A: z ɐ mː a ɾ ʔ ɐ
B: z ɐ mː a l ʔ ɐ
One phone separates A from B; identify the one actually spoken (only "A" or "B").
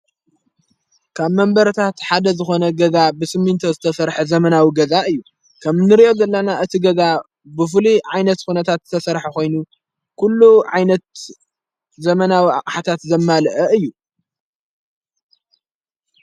B